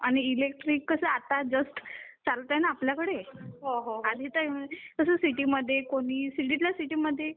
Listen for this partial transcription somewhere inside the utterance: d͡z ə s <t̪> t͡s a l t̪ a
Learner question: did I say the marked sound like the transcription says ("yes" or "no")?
yes